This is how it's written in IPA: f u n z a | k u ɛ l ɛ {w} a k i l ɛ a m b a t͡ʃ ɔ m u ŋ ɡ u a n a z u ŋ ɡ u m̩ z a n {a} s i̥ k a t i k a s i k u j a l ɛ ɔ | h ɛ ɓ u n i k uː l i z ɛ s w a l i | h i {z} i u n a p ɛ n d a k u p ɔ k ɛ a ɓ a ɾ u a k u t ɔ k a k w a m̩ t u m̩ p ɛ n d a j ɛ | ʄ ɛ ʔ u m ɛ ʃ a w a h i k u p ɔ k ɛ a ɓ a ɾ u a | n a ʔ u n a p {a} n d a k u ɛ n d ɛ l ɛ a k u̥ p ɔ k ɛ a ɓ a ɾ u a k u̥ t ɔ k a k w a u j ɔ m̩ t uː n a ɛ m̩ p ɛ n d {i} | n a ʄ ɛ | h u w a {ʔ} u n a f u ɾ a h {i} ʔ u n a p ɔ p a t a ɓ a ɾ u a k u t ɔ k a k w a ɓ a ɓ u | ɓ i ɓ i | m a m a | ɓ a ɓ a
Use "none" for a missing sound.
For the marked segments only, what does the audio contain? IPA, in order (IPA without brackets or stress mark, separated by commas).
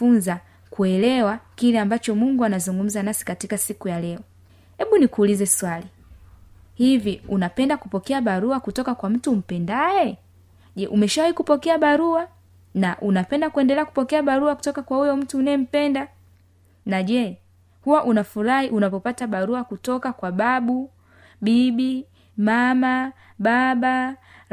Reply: w, a, v, ɛ, a, ʔ, i